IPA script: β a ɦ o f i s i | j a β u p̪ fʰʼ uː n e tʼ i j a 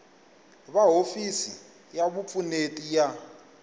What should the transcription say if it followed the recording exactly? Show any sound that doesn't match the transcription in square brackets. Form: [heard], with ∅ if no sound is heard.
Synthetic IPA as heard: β a ɦ o f i s i | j a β u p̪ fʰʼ [u] n e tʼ i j a